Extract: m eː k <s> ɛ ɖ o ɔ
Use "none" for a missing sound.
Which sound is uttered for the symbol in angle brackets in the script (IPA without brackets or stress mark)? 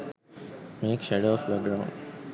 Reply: ʃ